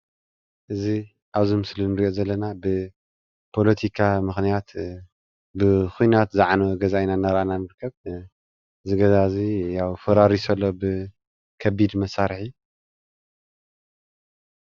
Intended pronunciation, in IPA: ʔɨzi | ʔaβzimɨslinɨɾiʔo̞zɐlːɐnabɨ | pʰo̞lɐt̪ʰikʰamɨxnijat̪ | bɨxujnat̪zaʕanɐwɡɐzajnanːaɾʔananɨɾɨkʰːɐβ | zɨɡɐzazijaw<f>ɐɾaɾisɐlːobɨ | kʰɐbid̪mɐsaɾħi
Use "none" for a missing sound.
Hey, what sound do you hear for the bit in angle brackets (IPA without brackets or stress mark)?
f